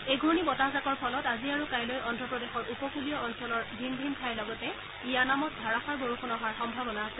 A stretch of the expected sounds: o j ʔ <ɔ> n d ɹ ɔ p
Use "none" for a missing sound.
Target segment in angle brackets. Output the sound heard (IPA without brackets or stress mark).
ɔ